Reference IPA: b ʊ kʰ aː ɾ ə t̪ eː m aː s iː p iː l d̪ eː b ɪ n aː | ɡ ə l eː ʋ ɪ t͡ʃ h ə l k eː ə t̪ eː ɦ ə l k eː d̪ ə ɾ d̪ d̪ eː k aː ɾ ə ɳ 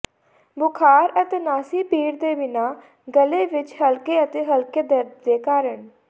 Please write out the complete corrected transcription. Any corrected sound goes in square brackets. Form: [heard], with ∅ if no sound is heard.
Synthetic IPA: b ʊ kʰ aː ɾ ə t̪ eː [n] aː s iː p iː [ɾ] d̪ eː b ɪ n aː | ɡ ə l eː ʋ ɪ t͡ʃ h ə l k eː ə t̪ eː ɦ ə l k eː d̪ ə ɾ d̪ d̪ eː k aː ɾ ə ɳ